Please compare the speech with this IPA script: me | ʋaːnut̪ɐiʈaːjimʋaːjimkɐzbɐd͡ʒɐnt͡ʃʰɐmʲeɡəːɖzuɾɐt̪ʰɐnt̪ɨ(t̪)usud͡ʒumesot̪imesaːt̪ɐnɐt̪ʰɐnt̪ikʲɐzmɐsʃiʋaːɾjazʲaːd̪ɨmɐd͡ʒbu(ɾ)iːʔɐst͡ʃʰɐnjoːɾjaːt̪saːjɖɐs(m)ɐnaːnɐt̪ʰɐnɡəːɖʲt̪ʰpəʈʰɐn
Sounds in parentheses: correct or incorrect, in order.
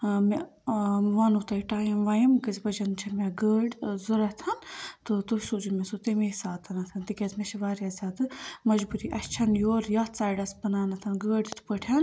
correct, correct, incorrect: b

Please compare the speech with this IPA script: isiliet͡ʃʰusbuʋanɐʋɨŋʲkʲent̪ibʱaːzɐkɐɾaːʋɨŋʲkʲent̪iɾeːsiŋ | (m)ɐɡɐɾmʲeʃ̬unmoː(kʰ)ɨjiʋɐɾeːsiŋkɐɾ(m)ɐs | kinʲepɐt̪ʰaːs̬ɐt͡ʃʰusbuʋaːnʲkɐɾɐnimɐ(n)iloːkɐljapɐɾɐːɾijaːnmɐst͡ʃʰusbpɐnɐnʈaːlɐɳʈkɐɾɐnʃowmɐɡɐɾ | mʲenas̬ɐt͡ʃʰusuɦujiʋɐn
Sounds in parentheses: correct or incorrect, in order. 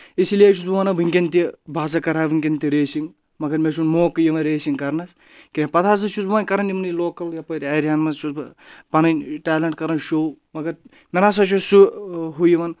correct, incorrect: k, incorrect: n, correct

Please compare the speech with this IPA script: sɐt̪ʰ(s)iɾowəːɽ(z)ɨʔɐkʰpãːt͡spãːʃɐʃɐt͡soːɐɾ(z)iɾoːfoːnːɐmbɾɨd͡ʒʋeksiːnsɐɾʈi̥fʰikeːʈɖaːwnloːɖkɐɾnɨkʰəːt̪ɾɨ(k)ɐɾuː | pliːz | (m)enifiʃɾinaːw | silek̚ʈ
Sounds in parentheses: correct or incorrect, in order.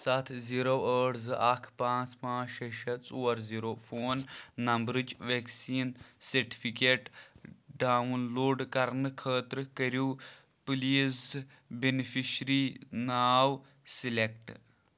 incorrect: z, correct, correct, correct, incorrect: b

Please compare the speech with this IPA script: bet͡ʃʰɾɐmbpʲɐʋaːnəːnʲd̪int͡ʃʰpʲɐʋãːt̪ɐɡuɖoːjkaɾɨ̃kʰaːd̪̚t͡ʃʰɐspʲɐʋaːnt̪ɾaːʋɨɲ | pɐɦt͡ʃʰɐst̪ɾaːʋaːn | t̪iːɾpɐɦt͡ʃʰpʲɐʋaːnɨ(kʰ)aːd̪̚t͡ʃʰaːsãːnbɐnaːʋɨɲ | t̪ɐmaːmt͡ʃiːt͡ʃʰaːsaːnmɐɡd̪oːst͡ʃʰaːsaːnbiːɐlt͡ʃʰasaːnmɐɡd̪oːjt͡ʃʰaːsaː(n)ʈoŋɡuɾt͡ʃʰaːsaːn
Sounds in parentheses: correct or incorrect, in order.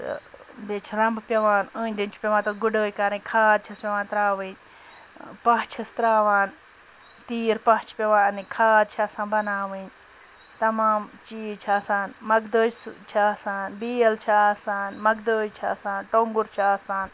correct, correct

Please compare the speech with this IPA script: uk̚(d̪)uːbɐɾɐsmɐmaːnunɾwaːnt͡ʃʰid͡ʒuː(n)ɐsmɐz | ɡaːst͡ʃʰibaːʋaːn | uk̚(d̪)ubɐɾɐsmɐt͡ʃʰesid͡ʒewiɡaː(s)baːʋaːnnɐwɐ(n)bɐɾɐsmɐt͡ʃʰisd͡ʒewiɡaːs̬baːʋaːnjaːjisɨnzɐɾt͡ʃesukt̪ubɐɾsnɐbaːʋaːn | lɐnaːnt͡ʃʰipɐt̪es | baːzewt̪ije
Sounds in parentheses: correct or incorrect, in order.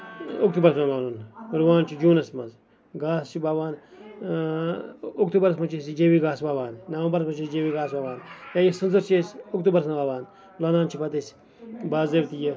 incorrect: t̪, correct, incorrect: t̪, correct, incorrect: m

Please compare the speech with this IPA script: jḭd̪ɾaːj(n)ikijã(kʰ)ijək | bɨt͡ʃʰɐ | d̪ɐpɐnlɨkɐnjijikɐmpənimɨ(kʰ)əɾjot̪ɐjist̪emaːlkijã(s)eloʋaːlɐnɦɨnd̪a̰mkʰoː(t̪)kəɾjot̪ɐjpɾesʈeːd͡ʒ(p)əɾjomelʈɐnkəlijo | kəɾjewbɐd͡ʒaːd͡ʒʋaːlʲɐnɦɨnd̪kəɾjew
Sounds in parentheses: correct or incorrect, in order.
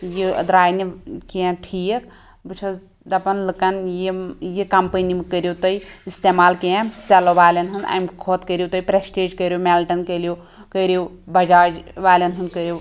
correct, incorrect: ʈʰ, incorrect: k, correct, correct, incorrect: k

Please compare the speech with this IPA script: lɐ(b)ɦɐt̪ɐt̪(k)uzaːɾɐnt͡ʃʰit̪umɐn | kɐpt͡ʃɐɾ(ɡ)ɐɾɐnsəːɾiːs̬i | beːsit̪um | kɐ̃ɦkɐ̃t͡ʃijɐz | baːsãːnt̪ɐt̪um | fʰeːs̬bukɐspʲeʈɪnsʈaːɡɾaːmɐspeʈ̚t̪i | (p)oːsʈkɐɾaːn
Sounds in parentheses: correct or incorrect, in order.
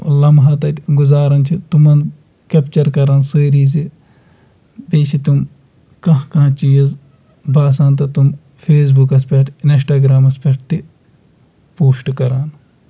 incorrect: m, incorrect: ɡ, incorrect: k, correct

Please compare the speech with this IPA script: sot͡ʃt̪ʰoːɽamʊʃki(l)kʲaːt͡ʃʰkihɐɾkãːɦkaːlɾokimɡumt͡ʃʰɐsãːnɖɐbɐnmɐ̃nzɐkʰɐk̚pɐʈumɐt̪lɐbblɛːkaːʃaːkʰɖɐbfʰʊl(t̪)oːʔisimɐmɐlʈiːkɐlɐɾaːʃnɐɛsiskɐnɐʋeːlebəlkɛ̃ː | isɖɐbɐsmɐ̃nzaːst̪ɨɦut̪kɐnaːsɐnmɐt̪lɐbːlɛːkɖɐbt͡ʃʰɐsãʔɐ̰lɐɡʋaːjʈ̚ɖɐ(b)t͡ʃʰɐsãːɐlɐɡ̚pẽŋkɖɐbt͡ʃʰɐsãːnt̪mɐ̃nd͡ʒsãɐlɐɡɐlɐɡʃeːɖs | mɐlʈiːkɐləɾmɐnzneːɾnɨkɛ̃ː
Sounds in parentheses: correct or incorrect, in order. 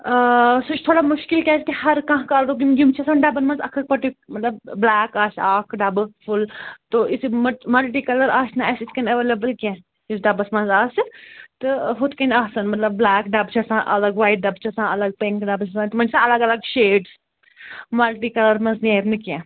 correct, correct, correct

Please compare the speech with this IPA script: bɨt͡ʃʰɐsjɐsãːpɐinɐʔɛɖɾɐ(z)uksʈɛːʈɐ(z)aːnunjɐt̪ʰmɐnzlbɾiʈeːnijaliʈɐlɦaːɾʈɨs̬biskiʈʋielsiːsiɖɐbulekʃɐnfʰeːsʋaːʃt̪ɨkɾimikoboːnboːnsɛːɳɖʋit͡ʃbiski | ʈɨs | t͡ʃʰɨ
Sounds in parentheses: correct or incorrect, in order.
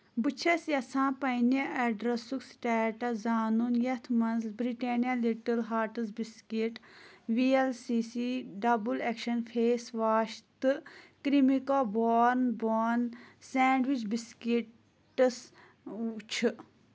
incorrect: s, correct

